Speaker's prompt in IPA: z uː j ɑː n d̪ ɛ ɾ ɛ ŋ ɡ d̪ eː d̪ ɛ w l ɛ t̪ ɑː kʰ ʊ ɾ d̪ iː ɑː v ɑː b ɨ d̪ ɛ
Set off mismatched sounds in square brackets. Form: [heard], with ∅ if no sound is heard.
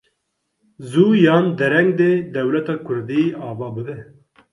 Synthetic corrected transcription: z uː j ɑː n d̪ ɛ ɾ ɛ ŋ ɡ d̪ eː d̪ ɛ w l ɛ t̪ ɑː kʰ ʊ ɾ d̪ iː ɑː v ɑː b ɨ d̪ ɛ